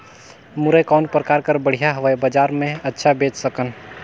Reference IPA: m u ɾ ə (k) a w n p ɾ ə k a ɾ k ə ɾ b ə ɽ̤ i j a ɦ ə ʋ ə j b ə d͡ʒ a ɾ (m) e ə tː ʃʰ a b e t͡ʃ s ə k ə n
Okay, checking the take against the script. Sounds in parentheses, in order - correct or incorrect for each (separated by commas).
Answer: correct, correct